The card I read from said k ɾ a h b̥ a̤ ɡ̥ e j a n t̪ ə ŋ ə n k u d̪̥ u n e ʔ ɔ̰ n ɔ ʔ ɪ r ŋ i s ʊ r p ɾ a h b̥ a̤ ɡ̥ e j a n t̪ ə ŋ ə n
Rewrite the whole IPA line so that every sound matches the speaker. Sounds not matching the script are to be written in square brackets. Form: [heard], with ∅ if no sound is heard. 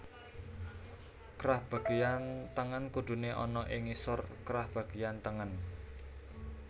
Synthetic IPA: k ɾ a h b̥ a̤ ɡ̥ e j a n t̪ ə ŋ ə n k u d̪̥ u n e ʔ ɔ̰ n ɔ ʔ ɪ [∅] ŋ i s ʊ r [k] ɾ a h b̥ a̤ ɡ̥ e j a n t̪ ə ŋ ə n

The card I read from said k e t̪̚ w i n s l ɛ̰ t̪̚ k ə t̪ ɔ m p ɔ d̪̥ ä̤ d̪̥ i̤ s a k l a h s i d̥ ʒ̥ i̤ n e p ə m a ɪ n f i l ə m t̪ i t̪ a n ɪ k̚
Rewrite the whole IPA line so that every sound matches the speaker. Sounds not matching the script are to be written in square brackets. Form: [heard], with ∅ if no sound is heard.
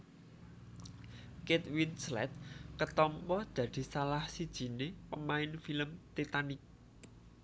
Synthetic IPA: k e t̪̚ w i n s l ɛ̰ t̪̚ k ə t̪ ɔ m p ɔ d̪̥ ä̤ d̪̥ i̤ s a [∅] l a h s i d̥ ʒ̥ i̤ n e p ə m a ɪ n f i l ə m t̪ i t̪ a n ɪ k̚

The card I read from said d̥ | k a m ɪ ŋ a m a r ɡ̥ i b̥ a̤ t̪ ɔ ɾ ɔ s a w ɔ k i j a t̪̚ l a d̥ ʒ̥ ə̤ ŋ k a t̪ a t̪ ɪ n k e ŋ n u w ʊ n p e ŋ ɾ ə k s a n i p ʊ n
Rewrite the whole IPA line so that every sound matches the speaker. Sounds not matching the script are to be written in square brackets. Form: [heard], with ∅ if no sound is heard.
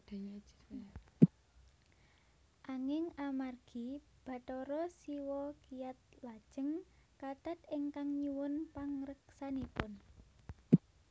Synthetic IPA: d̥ | [ʔ] a [ŋ] ɪ ŋ a m a r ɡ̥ i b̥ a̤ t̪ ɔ ɾ ɔ s [i] w ɔ k i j a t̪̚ l a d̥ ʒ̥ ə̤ ŋ k a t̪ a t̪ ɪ [ŋ] k [a] ŋ [ɲ] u w ʊ n p [a] ŋ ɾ ə k s a n i p ʊ n

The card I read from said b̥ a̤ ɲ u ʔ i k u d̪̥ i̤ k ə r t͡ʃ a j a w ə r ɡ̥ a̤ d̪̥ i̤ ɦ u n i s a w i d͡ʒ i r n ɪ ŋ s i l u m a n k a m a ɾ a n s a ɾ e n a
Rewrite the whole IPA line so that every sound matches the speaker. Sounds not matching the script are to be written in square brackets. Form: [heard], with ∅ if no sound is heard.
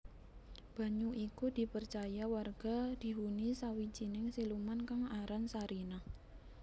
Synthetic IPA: b̥ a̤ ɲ u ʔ i k u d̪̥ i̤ [p] ə r t͡ʃ a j a w [a] r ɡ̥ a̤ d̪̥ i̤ ɦ u n i s a w i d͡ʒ i [∅] n ɪ ŋ s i l u m a n k a [ŋ] a ɾ a n s a ɾ [i] n a

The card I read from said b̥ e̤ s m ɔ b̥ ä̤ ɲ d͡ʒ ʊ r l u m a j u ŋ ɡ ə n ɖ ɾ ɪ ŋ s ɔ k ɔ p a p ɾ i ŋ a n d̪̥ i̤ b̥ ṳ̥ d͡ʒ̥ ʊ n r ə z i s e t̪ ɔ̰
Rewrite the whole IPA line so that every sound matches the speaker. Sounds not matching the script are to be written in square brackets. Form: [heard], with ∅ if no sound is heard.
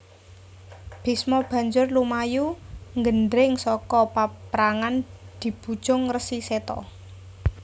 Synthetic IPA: b̥ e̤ s m ɔ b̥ ä̤ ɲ d͡ʒ ʊ r l u m a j u ŋ ɡ ə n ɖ ɾ ɪ ŋ s ɔ k ɔ p a p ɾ [a] ŋ a n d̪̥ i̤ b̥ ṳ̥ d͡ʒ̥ ʊ [ŋ] r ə [s] i s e t̪ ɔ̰

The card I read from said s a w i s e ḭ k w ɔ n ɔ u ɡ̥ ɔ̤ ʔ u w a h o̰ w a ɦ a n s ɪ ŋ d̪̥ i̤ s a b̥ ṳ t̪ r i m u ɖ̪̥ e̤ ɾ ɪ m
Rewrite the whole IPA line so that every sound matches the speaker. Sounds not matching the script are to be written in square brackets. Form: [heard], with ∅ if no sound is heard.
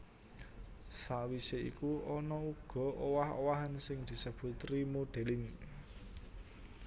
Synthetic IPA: s a w i s e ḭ k [u] ɔ n ɔ u ɡ̥ ɔ̤ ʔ [o] w a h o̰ w a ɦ a n s ɪ ŋ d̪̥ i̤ s [ə] b̥ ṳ t̪ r i m [o] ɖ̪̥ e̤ [l] ɪ [ŋ]

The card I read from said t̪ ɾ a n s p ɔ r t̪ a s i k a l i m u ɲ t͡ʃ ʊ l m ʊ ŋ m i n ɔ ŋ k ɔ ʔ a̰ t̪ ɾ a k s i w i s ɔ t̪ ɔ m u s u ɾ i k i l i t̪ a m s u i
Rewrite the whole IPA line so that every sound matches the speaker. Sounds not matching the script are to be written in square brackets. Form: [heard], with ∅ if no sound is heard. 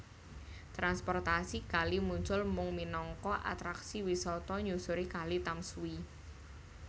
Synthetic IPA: t̪ ɾ a n s p ɔ r t̪ a s i k a l i m u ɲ t͡ʃ ʊ l m ʊ ŋ m i n ɔ ŋ k ɔ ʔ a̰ t̪ ɾ a k s i w i s ɔ t̪ ɔ [ɲ] u s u ɾ i k [a] l i t̪ a m s u i

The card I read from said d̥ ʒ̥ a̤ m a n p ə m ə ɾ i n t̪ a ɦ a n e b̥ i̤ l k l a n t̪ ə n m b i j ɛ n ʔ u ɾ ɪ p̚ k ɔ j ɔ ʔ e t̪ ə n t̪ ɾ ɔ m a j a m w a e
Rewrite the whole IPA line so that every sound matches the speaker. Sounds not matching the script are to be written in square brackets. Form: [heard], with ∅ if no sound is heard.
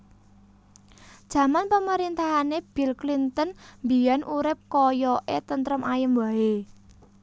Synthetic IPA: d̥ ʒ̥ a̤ m a n p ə m ə ɾ i n t̪ a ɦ a n e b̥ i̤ l k l [i] n t̪ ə n m b i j [a] n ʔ u ɾ ɪ p̚ k ɔ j ɔ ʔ e t̪ ə n t̪ ɾ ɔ m a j [ə] m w a e

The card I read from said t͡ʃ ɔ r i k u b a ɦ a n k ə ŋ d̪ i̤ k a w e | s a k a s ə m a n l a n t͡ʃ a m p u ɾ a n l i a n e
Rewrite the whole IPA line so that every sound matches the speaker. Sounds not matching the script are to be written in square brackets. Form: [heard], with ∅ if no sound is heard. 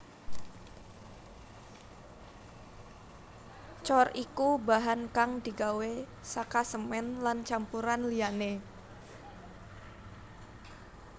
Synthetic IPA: t͡ʃ ɔ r i k u b a ɦ a n k [a] ŋ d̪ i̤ [ɡ] a w e | s a k a s ə m [ɛ] n l a n t͡ʃ a m p u ɾ a n l i a n e

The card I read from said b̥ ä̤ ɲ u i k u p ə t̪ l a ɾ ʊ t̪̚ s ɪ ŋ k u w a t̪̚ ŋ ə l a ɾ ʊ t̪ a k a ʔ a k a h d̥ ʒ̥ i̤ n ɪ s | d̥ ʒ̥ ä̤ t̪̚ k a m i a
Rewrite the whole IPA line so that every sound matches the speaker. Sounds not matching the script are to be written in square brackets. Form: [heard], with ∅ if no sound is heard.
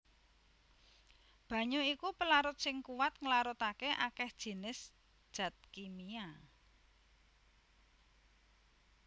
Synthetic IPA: b̥ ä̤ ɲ u i k u p ə [∅] l a ɾ ʊ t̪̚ s ɪ ŋ k u w a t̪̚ ŋ ə l a ɾ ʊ t̪ a k [e] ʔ a k [ɛ] h d̥ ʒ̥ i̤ n ɪ s | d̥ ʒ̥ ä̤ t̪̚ k [i] m i a

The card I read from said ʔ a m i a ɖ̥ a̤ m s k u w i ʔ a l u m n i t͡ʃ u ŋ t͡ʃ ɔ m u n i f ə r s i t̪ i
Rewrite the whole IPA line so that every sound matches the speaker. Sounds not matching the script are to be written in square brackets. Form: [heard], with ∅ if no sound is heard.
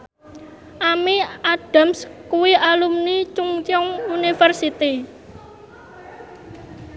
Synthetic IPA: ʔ a m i a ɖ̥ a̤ m s k u w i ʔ a l u m n i t͡ʃ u ŋ t͡ʃ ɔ [ŋ] u n i f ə r s i t̪ i

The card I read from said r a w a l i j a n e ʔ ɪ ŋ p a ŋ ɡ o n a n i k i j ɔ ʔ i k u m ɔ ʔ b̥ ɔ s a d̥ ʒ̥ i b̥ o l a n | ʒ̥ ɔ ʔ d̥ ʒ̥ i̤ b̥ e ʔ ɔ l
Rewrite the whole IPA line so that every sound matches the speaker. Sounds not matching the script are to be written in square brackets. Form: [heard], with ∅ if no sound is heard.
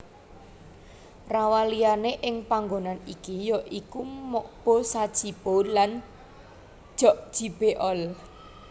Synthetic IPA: r a w a l i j a n e ʔ ɪ ŋ p a ŋ ɡ o n a n i k i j ɔ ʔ i k u m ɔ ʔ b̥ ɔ s a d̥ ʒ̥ i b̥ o l a n | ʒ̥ ɔ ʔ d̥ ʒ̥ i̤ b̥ e ʔ ɔ l

